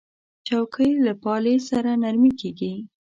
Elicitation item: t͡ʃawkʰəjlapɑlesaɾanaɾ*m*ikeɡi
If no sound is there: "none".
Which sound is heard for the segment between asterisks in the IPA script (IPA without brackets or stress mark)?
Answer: m